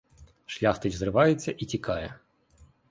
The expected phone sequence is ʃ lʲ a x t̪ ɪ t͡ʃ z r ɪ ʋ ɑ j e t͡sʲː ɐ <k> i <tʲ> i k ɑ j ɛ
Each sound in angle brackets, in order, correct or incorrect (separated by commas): incorrect, correct